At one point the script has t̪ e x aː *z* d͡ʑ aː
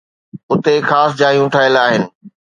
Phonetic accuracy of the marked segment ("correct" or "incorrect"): incorrect